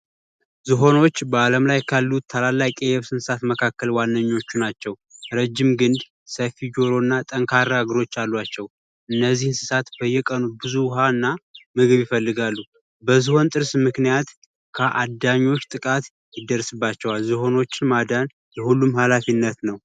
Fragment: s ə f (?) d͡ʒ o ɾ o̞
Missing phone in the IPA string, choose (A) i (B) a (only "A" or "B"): A